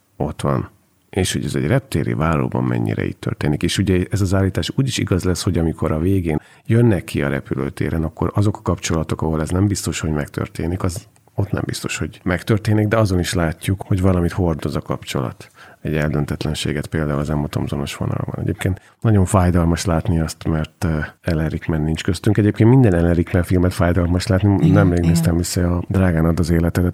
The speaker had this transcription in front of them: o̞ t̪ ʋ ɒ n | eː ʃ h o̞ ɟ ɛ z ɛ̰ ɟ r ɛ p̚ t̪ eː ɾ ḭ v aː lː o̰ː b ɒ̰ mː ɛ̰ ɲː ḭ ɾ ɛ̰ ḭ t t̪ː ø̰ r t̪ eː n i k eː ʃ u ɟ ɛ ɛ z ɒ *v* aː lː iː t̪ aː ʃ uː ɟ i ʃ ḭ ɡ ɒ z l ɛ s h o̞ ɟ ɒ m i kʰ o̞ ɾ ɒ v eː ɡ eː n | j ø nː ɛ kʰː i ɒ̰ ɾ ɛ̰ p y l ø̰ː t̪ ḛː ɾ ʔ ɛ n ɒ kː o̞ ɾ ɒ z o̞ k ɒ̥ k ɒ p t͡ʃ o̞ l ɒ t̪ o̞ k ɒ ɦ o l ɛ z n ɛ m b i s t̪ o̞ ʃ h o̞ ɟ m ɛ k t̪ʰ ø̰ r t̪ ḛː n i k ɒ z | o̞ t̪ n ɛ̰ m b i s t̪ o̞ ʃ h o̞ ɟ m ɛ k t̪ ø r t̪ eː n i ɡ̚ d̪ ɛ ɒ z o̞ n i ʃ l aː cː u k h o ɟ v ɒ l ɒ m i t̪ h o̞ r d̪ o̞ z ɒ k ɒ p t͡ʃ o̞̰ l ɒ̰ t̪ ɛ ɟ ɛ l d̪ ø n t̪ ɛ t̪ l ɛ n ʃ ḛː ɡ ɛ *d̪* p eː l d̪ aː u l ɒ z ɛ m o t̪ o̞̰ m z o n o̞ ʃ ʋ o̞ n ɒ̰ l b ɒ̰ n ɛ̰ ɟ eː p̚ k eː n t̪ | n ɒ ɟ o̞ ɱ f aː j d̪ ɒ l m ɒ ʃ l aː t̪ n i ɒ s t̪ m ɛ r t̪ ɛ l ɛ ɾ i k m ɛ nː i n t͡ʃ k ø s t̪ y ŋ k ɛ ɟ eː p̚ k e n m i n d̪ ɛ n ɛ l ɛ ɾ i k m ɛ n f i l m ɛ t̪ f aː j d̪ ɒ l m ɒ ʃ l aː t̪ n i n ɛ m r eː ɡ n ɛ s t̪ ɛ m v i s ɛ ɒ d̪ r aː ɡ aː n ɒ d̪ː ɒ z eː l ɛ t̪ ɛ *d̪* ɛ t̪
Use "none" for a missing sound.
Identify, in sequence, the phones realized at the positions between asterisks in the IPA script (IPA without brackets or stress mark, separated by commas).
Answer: z, t̪, d̪